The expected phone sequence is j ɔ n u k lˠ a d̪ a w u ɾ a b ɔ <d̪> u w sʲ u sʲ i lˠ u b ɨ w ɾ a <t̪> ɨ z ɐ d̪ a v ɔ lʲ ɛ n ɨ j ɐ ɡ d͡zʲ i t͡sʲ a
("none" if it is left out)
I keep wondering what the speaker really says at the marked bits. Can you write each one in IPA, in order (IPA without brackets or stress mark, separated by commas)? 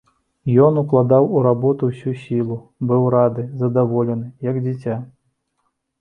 t̪, d̪